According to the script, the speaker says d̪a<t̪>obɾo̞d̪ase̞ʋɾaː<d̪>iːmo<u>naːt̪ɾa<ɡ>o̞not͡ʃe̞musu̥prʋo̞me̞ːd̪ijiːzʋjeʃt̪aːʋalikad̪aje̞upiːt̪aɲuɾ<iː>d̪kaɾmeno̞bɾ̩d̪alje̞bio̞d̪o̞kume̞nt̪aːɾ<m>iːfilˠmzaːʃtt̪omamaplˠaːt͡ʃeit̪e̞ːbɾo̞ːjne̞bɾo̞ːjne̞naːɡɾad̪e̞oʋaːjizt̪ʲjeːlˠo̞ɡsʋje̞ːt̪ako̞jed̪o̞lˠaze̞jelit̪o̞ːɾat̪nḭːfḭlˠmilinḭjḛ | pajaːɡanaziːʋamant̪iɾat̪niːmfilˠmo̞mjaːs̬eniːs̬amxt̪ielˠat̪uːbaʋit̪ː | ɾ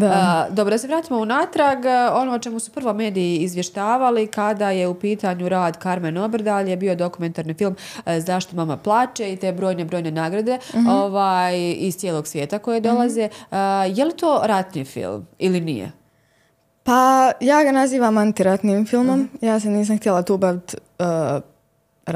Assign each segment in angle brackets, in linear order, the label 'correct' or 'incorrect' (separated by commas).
incorrect, incorrect, correct, correct, incorrect, incorrect